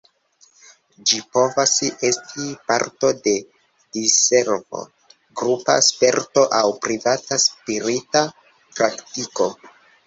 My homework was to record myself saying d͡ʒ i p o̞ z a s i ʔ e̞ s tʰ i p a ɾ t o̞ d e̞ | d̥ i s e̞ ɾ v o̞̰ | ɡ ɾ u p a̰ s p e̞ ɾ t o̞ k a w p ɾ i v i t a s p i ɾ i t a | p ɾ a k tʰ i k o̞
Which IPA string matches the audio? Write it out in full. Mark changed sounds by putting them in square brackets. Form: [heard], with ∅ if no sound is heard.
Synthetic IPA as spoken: d͡ʒ i p o̞ [v] a s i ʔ e̞ s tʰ i p a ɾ t o̞ d e̞ | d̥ i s e̞ ɾ v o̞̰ | ɡ ɾ u p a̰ s p e̞ ɾ t o̞ [ʔ] a w p ɾ i v [a] t a s p i ɾ i t a | p ɾ a k [t] i k o̞